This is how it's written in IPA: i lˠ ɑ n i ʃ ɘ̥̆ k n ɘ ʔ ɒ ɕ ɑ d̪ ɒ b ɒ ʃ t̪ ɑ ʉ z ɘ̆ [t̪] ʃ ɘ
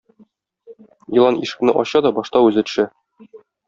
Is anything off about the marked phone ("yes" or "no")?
no